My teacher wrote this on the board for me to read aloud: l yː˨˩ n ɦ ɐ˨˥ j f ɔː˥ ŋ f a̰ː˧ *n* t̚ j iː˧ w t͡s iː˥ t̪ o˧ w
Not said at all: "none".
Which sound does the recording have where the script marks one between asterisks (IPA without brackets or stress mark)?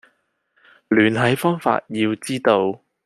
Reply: none